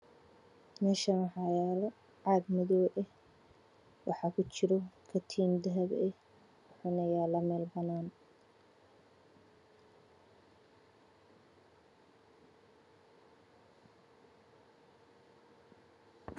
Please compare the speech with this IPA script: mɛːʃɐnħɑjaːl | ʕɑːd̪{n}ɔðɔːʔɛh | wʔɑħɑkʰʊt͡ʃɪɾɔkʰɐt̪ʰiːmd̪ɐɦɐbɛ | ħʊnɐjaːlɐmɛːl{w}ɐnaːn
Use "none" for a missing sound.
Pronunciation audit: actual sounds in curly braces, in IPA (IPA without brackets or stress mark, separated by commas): m, b